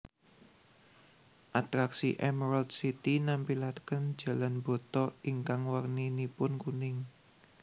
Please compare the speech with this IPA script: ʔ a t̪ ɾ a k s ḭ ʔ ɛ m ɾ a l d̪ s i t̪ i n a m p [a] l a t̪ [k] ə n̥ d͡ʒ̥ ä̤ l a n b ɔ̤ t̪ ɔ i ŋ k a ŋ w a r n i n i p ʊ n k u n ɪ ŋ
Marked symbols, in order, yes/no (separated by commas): no, yes